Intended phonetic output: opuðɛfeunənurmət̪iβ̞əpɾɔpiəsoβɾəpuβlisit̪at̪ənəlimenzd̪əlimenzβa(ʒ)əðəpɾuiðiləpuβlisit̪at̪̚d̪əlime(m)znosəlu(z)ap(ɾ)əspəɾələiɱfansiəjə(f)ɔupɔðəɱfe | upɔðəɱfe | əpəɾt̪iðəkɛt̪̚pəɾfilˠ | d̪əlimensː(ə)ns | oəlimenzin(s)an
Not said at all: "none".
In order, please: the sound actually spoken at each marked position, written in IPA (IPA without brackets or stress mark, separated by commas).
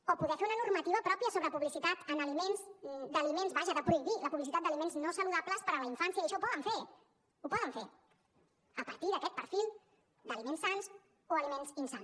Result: ʒ, n, ð, l, ʃ, a, s